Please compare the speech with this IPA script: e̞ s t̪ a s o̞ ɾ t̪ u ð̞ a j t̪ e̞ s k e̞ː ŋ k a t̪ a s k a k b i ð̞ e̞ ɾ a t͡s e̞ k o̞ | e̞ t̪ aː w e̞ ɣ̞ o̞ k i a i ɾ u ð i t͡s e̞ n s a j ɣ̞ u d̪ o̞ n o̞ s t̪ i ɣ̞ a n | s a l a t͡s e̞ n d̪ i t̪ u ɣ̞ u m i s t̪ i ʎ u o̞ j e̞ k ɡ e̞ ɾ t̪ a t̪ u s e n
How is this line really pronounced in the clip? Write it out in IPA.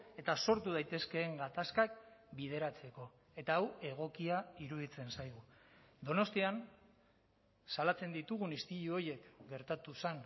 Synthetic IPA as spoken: e̞ t̪ a s o̞ ɾ t̪ u ð̞ a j t̪ e̞ s k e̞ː ŋ ɡ a t̪ a s k a k b i ð̞ e̞ ɾ a t͡s e̞ k o̞ | e̞ t̪ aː w e̞ ɣ̞ o̞ k i a i ɾ u ð i t͡s e̞ n s a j ɣ̞ u d̪ o̞ n o̞ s t̪ i a n | s a l a t͡s e̞ n d̪ i t̪ u ɣ̞ u n i s t̪ i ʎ u o̞ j e̞ k ɡ e̞ ɾ t̪ a t̪ u s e n